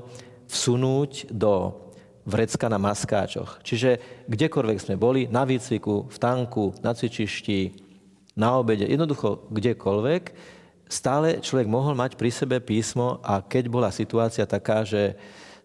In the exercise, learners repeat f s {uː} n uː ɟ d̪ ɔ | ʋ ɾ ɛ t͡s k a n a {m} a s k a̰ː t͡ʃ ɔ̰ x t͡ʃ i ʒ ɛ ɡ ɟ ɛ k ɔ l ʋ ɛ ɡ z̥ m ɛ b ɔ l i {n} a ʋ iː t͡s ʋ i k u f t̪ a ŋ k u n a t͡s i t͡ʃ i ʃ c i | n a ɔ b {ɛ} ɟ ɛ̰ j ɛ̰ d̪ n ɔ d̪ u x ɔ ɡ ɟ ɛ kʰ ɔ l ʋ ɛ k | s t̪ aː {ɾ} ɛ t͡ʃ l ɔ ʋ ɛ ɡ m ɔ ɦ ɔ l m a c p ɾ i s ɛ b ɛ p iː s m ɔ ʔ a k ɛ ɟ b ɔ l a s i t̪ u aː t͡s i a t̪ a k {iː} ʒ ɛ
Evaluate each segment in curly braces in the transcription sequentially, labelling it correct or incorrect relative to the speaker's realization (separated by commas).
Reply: incorrect, correct, correct, correct, incorrect, incorrect